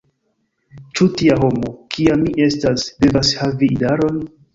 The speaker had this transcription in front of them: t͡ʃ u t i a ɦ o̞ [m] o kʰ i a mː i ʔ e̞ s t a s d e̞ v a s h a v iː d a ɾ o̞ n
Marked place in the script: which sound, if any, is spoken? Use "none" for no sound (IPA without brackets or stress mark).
m